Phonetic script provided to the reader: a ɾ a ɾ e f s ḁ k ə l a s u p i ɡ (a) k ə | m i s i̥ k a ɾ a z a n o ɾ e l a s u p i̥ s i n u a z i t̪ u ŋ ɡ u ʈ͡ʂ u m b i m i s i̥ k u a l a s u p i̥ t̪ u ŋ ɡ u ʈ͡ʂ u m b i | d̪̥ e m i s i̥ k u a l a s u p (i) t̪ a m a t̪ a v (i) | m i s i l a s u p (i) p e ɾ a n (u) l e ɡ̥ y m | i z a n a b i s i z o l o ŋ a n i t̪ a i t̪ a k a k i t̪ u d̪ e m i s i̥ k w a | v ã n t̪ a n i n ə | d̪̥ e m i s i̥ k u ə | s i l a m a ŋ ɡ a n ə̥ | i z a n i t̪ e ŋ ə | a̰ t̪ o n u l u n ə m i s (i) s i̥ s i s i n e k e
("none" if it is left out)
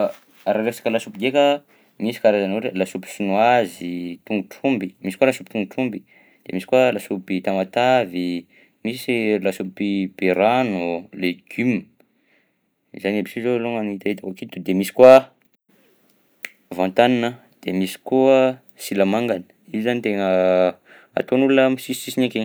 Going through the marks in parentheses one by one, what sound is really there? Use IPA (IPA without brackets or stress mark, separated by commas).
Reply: e, i, i, i, u, i